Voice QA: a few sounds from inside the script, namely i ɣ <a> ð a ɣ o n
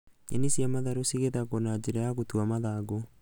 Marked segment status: incorrect: e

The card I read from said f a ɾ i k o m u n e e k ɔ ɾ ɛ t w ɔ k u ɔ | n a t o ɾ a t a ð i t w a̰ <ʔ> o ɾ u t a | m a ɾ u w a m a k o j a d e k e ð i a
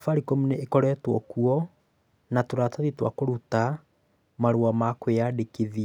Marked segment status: incorrect: k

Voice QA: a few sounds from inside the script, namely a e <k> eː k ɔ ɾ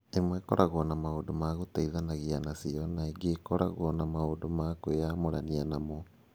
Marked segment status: incorrect: ɡ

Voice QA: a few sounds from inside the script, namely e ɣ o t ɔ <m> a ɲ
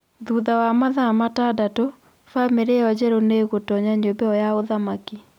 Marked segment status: incorrect: ɲ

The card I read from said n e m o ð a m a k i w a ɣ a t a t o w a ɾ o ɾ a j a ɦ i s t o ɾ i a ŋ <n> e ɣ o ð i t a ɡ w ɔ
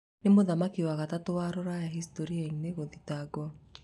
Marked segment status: correct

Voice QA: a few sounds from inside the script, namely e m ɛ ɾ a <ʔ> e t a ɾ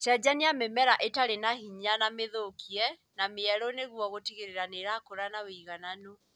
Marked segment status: correct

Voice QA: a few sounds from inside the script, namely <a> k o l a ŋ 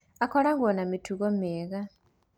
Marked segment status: correct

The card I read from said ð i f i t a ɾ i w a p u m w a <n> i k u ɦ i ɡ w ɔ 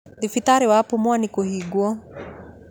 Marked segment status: correct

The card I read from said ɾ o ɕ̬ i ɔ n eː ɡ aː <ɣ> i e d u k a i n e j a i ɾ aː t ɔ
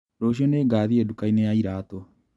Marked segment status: incorrect: ð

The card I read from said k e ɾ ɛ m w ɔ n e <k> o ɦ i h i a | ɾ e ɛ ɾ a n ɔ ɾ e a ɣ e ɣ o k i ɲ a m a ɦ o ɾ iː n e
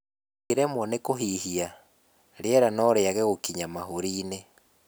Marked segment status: correct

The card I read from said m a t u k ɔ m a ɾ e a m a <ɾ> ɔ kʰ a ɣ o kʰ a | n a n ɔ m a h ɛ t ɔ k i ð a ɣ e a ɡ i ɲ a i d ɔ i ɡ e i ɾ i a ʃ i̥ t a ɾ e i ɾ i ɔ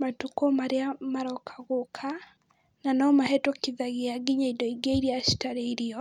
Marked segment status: correct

